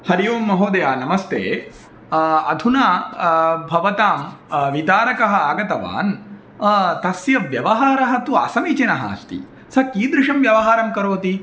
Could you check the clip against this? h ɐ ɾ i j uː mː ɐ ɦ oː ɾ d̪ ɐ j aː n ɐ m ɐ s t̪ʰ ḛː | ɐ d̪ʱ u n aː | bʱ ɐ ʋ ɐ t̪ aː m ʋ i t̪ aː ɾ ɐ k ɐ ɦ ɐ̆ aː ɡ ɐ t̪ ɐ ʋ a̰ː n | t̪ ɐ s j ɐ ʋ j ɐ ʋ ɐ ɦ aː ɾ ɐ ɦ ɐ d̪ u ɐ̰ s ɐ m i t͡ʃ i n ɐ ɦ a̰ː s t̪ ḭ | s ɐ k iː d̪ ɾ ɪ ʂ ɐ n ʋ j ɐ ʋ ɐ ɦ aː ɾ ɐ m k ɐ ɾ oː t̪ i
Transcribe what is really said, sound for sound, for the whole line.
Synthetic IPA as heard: h ɐ ɾ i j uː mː ɐ ɦ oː d̪ ɐ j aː n ɐ m ɐ s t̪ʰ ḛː | ɐ d̪ʱ u n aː | bʱ ɐ ʋ ɐ t̪ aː m ʋ i t̪ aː ɾ ɐ k ɐ ɦ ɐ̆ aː ɡ ɐ t̪ ɐ ʋ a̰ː n | t̪ ɐ s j ɐ ʋ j ɐ ʋ ɐ ɦ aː ɾ ɐ ɦ ɐ t̪ u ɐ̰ s ɐ m i t͡ʃ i n ɐ ɦ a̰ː s t̪ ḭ | s ɐ k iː d̪ ɾ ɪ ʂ ɐ m ʋ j ɐ ʋ ɐ ɦ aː ɾ ɐ m k ɐ ɾ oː t̪ i